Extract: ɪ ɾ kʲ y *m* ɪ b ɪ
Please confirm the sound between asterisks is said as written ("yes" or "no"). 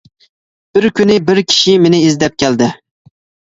no